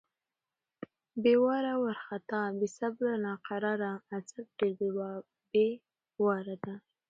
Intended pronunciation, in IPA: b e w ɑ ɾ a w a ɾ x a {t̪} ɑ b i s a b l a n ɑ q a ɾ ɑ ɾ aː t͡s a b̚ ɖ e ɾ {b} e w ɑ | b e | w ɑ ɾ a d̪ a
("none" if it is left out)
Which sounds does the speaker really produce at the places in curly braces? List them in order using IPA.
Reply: t̪, b

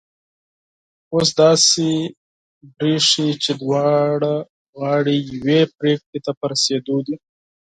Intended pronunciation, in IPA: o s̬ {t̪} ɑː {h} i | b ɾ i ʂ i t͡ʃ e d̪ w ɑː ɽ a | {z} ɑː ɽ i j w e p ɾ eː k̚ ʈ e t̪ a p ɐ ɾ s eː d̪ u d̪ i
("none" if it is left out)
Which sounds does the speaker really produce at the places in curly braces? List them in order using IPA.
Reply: d̪, s, ɣ

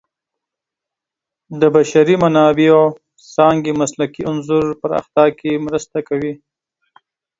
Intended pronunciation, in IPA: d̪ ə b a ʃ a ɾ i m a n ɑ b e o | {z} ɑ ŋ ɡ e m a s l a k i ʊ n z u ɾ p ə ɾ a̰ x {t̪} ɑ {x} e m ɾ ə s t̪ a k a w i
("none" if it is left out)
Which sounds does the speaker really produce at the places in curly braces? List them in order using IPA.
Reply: s, t̪, k

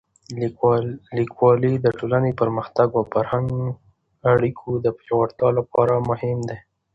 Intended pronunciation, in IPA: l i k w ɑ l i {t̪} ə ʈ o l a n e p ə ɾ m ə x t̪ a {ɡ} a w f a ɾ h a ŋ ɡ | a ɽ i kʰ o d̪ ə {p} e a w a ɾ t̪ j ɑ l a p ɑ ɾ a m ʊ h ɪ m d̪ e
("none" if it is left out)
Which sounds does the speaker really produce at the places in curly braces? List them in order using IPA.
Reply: d̪, ɡ, p

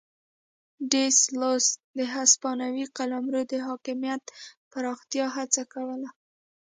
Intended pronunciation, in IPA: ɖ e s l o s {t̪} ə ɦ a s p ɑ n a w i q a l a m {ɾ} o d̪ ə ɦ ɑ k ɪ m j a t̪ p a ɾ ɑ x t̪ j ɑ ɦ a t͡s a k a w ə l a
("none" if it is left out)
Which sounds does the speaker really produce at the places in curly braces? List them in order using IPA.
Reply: d̪, ɾ

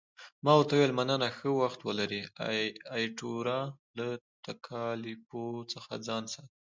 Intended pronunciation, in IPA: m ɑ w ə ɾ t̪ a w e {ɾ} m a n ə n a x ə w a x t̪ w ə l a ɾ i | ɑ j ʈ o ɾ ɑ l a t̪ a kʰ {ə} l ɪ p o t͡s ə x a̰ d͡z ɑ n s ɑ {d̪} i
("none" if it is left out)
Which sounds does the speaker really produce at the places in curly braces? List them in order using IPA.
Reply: l, ɑ, t̪

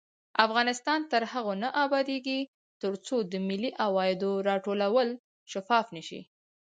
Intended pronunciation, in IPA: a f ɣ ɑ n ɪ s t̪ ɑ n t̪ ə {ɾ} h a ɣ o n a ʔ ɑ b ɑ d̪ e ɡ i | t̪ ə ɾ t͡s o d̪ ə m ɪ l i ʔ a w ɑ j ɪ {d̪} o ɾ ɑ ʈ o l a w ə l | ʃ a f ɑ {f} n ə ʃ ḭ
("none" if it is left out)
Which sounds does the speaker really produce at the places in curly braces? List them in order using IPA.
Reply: ɾ, d̪, f

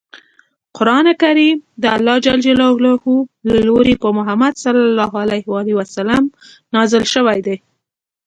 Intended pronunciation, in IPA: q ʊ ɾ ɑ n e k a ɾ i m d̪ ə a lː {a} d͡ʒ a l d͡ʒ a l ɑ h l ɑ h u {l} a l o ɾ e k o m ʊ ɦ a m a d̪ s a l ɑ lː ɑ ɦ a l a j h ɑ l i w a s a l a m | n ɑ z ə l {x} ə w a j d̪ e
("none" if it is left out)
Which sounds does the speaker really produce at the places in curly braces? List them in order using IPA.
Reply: ɑ, l, ʃ

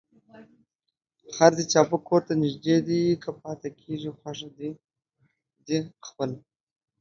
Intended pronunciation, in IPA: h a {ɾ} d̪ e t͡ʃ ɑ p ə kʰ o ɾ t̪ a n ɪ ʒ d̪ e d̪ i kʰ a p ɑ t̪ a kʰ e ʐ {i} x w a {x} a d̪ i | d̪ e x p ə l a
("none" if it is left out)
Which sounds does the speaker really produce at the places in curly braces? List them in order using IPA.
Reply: ɾ, i, ʂ

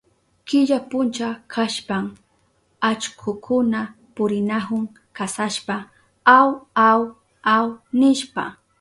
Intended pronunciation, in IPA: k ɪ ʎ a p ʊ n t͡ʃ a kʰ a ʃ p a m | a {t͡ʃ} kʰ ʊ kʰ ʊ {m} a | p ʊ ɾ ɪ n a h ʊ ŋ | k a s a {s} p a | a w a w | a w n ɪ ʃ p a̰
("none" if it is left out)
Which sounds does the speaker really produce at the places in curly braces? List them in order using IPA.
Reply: t͡ʃ, n, ʃ

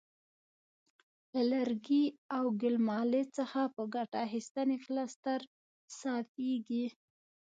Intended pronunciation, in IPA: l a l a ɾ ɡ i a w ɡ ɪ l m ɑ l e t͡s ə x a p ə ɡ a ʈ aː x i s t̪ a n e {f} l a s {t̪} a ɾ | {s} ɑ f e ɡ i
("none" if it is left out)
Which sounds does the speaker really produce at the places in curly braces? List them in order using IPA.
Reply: f, t̪, s

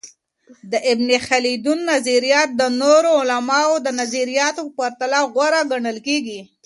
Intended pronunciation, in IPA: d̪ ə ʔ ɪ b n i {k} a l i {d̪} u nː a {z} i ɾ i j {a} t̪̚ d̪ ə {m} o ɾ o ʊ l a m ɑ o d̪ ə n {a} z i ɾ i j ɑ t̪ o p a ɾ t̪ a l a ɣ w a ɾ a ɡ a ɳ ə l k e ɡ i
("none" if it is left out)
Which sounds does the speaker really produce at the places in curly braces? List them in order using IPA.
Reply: x, d̪, z, ɑ, n, a

